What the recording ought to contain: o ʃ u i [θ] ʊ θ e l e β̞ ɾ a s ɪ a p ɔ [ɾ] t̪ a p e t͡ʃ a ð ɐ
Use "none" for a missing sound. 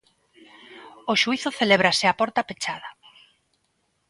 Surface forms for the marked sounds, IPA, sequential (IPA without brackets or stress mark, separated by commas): θ, ɾ